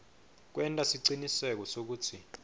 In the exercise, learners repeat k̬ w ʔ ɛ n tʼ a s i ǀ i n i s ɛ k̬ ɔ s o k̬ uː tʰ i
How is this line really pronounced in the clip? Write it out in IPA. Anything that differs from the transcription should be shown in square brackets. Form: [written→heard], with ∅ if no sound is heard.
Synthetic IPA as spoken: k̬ w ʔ ɛ n tʼ a s i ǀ i n i s ɛ k̬ ɔ s o k̬ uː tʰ i